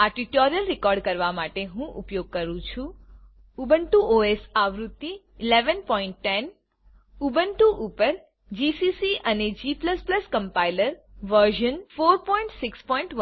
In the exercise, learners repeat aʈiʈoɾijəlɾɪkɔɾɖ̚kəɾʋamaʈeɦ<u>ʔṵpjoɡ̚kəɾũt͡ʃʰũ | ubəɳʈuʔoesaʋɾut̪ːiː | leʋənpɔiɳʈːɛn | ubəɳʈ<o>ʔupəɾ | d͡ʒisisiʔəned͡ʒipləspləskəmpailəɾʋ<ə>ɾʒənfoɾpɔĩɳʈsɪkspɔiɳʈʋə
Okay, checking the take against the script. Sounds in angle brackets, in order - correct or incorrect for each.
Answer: incorrect: ũ, incorrect: u, correct

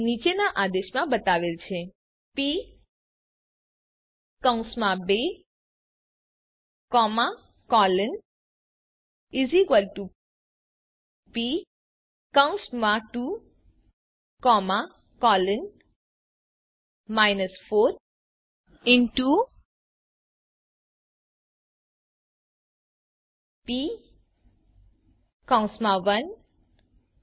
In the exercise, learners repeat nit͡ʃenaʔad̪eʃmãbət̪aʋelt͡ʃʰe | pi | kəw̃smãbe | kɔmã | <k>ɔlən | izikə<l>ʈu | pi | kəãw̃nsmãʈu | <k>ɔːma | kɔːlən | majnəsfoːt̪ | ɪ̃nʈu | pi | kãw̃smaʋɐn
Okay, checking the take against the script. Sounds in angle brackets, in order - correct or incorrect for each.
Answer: correct, correct, correct

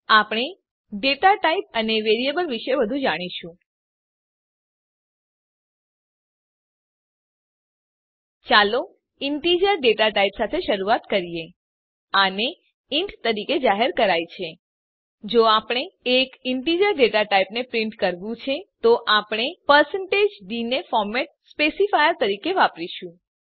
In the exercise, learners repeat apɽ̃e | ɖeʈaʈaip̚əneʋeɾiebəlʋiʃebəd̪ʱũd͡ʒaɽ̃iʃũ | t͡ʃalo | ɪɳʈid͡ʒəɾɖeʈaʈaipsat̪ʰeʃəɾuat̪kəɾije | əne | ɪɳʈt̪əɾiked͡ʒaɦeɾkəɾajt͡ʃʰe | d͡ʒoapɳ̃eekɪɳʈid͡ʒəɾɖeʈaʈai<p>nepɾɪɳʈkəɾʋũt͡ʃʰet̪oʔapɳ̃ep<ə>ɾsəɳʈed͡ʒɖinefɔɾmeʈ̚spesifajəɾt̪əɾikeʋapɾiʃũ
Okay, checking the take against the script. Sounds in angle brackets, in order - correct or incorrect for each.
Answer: correct, correct

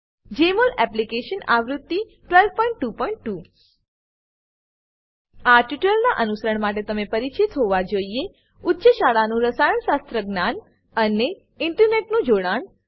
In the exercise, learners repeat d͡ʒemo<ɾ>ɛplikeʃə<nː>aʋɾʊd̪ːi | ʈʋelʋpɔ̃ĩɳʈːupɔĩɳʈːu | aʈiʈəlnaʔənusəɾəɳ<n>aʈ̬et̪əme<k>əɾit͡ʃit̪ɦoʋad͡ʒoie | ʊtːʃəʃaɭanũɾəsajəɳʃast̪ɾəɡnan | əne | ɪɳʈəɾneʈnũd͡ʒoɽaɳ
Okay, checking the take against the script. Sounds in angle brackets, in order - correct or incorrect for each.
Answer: incorrect: l, incorrect: n, incorrect: m, incorrect: p

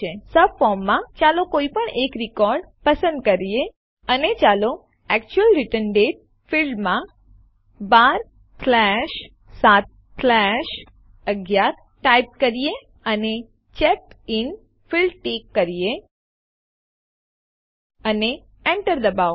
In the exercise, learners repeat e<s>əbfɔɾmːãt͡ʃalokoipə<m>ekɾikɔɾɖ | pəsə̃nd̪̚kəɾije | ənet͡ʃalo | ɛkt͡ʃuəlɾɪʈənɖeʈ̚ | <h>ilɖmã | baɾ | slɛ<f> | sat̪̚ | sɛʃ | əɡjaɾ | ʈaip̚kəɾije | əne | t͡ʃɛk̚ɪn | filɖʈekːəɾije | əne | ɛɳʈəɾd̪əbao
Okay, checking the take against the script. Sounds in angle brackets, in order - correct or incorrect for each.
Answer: correct, incorrect: ɳ, incorrect: f, incorrect: ʃ

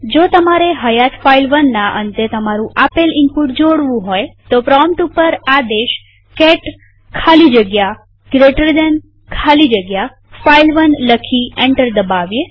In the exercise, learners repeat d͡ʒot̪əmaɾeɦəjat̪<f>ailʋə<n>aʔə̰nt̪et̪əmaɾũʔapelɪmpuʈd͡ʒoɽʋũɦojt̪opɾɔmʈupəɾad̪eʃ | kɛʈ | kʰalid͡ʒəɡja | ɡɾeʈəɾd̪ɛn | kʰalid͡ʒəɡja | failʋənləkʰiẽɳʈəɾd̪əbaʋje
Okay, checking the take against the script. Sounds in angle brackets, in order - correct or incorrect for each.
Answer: correct, incorrect: nː

